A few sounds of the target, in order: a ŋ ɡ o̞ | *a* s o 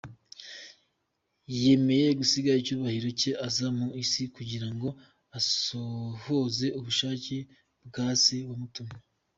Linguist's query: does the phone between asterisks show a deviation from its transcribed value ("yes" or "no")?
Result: no